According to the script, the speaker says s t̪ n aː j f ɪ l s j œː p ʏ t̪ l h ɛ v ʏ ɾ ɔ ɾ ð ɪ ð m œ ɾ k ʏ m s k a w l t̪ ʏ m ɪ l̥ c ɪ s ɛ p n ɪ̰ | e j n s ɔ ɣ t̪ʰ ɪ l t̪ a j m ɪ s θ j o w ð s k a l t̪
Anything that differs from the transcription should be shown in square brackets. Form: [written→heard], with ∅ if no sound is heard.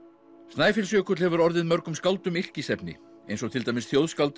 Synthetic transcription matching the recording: s t̪ n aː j f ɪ l s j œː [p→k] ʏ t̪ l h ɛ v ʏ ɾ ɔ ɾ ð ɪ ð m œ ɾ k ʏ m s k a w l t̪ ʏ m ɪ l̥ c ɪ s ɛ p n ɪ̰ | e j n s ɔ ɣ t̪ʰ ɪ l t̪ a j m ɪ s θ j o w ð s k a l t̪